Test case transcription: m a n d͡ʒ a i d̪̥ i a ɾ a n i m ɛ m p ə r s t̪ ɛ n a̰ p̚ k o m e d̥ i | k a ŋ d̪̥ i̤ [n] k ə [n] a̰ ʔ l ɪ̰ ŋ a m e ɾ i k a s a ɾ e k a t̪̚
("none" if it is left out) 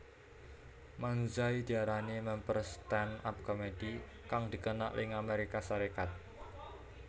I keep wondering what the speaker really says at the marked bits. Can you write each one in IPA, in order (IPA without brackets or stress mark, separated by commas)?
none, n